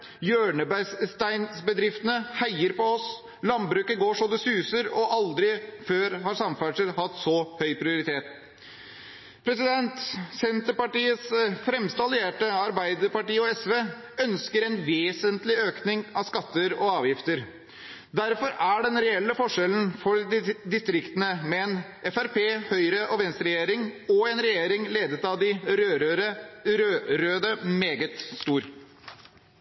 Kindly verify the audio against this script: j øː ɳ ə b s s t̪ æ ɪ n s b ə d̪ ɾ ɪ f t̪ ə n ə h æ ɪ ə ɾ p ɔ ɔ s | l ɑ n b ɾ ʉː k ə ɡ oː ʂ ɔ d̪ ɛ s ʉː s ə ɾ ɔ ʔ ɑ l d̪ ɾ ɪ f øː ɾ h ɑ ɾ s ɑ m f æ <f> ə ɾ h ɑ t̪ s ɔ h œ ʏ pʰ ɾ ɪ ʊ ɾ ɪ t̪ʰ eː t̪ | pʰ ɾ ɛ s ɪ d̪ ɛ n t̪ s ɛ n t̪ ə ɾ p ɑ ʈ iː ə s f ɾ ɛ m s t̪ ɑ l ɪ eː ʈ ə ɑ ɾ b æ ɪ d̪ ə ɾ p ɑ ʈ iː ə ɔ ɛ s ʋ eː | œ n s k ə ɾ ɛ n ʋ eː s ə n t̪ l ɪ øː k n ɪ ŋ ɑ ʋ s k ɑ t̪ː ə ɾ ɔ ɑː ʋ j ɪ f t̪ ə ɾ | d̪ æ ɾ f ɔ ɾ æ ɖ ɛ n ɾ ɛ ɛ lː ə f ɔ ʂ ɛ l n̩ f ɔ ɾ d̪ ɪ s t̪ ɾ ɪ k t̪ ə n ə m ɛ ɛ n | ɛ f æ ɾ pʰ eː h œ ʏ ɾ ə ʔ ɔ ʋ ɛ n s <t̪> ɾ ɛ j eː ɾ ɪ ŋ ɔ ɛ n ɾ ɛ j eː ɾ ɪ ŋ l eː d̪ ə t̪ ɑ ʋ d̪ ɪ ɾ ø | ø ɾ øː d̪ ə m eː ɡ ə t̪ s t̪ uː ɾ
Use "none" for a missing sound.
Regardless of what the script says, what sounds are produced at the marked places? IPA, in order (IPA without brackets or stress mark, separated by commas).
ʂ, t̪